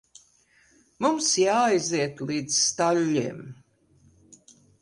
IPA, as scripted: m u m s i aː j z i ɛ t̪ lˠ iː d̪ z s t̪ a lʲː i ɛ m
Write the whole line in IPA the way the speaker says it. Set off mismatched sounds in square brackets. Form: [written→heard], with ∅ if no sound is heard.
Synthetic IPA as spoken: m u m s [i→j] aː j z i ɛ t̪ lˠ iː d̪ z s t̪ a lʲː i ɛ m